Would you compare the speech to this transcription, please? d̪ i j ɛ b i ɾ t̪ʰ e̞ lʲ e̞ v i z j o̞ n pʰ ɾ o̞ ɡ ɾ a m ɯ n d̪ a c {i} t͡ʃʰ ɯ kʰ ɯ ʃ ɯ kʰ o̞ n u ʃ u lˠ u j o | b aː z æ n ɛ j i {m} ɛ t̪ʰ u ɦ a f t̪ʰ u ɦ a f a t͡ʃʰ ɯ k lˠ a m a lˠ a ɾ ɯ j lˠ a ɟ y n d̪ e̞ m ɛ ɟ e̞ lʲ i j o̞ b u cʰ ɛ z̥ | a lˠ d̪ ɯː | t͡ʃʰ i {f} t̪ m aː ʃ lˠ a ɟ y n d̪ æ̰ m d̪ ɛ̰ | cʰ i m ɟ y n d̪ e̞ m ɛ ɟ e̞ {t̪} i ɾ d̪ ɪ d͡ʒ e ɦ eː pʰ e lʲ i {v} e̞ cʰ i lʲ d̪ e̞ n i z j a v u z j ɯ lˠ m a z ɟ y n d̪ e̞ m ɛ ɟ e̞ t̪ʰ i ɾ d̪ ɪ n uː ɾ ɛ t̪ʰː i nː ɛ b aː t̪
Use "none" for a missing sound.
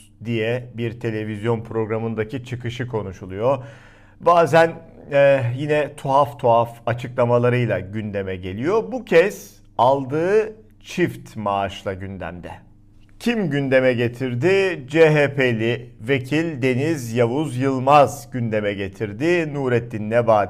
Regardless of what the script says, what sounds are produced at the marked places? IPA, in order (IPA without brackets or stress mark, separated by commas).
i, n, f, t̪ʰ, v